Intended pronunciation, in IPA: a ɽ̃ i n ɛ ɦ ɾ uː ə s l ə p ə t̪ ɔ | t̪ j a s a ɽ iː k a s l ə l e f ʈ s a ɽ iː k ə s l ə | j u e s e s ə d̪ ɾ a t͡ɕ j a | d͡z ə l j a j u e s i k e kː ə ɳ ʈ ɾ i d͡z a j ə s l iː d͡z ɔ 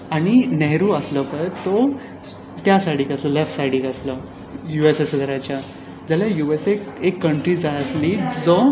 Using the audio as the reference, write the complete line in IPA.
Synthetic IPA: a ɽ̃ i n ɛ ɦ ɾ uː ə s l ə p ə t̪ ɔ | t̪ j a s a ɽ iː k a s l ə l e f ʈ s a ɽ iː k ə s l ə | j u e s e s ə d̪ ɾ a t͡ɕ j a | d͡z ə l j a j u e s e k e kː ə ɳ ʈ ɾ i d͡z a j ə s l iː d͡z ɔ

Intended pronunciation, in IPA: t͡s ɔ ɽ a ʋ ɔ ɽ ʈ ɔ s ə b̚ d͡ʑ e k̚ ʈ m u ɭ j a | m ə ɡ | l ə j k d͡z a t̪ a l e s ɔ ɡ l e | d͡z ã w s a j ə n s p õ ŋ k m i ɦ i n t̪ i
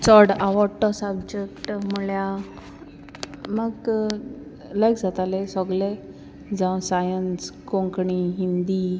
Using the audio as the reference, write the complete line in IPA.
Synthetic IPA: t͡s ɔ ɽ a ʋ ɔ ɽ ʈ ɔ s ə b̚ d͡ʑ e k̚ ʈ m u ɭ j a | m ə ɡ | l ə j k d͡z a t̪ a l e s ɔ ɡ l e | d͡z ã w s a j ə n s k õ ŋ k ɳ i ɦ i n d̪ i

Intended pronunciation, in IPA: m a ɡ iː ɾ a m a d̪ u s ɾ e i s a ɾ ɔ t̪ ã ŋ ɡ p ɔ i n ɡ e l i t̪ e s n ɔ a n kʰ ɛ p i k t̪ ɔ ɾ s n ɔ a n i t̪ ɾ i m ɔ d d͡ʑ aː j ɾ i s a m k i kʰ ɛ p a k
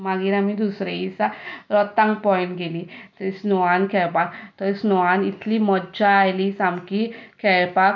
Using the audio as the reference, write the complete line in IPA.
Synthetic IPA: m a ɡ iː ɾ a m i d̪ u s ɾ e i s a ɾ ɔ t̪ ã ŋ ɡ p ɔ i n ɡ e l i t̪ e s n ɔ a n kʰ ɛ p a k t̪ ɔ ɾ s n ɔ a n i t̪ l i m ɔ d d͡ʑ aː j l i s a m k i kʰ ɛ p a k

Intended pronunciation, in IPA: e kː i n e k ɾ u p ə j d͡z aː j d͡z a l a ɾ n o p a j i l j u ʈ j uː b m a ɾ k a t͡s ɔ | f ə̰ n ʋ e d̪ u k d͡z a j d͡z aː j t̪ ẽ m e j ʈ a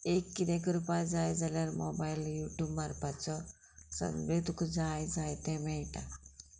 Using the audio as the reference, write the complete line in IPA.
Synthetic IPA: e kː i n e k ɾ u p a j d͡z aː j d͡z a l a ɾ m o b a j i l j u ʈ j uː b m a ɾ p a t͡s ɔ | s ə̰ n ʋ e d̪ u k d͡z a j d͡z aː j t̪ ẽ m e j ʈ a

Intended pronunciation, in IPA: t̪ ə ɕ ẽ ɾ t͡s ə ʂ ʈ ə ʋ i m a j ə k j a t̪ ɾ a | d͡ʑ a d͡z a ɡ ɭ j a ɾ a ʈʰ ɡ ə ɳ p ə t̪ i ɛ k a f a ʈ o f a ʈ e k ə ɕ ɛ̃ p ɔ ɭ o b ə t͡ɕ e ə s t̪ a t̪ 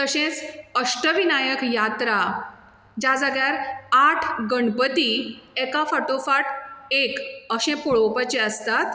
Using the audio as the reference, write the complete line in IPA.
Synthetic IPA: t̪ ə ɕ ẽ t͡s ə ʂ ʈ ə ʋ i n a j ə k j a t̪ ɾ a | d͡ʑ a d͡z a ɡ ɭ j a ɾ a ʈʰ ɡ ə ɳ p ə t̪ i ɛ k a f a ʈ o f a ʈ e k ə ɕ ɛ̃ p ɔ ɭ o p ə t͡ɕ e ə s t̪ a t̪

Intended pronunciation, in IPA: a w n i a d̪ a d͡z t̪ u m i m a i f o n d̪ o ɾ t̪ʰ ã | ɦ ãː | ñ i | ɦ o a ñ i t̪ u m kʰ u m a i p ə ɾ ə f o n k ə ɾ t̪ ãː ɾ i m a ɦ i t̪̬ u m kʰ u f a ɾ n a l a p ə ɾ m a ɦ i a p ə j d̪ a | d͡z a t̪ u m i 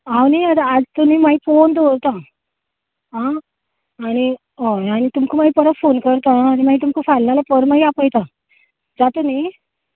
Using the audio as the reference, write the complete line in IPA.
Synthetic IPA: a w n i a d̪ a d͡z t̪ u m i m a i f o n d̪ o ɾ t̪ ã | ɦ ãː | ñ i | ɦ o a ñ i t̪ u m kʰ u m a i p ə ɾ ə f o n k ə ɾ t̪ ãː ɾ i m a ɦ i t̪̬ u m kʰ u f a l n a l a p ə ɾ m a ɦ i a p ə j t̪ a | d͡z a t̪ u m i

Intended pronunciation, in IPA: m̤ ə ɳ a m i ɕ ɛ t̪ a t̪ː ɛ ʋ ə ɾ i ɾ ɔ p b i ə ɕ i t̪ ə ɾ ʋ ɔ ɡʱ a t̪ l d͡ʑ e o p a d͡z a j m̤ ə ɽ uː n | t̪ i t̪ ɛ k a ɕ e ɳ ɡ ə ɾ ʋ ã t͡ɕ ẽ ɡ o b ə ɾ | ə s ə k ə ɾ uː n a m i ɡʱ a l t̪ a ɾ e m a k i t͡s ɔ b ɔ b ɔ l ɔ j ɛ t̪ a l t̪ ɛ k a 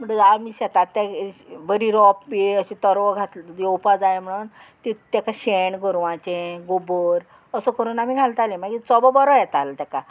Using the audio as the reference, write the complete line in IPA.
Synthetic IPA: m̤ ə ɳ a m i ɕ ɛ t̪ a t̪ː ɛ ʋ ə ɾ i ɾ ɔ p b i ə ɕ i t̪ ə ɾ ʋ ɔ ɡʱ a t̪ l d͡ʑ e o p a d͡z a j m̤ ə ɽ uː n | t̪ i t̪ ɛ k a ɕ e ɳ ɡ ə ɾ ʋ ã t͡ɕ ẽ ɡ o b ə ɾ | ə s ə k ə ɾ uː n a m i ɡʱ a l t̪ a l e m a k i t͡s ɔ b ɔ b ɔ ɾ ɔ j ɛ t̪ a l t̪ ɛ k a

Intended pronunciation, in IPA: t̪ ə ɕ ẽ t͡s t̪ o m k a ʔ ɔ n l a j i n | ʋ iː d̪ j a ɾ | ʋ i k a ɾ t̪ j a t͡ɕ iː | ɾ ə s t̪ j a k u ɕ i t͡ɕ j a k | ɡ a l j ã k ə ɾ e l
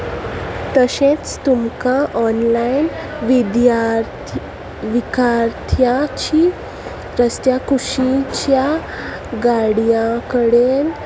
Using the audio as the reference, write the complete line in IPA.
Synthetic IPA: t̪ ə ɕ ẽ t͡s t̪ u m k a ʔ ɔ n l a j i n | ʋ i d̪ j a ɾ | ʋ i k a ɾ t̪ʰ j a t͡ɕ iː | ɾ ə s t̪ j a k u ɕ i t͡ɕ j a | ɡ a ɽ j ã k ə ɽ e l

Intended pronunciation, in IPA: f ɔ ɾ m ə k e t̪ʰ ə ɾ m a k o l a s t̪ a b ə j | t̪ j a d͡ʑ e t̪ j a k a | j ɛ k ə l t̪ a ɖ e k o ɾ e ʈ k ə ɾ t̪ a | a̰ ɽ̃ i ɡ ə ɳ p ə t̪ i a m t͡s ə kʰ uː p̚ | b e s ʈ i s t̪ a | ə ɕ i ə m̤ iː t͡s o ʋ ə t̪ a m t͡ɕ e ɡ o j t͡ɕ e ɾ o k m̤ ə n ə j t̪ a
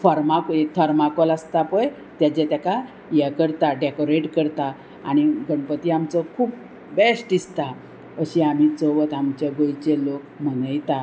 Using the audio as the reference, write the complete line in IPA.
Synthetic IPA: f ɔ ɾ m a k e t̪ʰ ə ɾ m a k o l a s t̪ a p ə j | t̪ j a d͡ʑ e t̪ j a k a | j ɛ k ə ɾ t̪ a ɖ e k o ɾ e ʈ k ə ɾ t̪ a | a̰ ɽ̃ i ɡ ə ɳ p ə t̪ i a m t͡s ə kʰ uː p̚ | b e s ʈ i s t̪ a | ə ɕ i a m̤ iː t͡s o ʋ ə t̪ a m t͡ɕ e ɡ o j t͡ɕ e l o k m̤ ə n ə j t̪ a

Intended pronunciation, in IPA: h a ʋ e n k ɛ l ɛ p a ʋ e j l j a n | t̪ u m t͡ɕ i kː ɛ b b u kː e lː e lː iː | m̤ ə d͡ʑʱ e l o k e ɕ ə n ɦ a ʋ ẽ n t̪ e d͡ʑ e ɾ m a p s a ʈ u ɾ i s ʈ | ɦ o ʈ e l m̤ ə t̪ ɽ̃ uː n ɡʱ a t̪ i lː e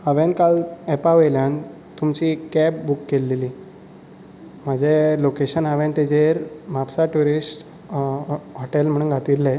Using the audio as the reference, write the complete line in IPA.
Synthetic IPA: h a ʋ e n k a l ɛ p a ʋ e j l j a n | t̪ u m t͡ɕ i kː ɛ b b u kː e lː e l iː | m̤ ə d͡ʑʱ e l o k e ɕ ə n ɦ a ʋ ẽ n t̪ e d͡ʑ e ɾ m a p s a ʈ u ɾ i s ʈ | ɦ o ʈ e l m̤ ə ɽ̃ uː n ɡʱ a t̪ i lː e

